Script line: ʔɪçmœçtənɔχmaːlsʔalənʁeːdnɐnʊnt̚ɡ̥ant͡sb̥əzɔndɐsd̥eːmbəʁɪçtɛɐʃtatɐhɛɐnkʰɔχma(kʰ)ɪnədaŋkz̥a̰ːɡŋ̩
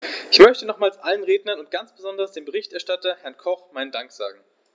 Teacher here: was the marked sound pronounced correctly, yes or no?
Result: no